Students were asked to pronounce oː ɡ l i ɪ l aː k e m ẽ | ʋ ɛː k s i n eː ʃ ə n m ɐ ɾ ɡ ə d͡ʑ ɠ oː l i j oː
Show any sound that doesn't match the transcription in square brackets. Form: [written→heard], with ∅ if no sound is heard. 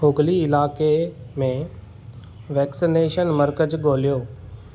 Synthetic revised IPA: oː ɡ l i ɪ l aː k e m ẽ | ʋ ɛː k s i n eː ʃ ə n m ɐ ɾ [ɡ→k] ə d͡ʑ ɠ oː l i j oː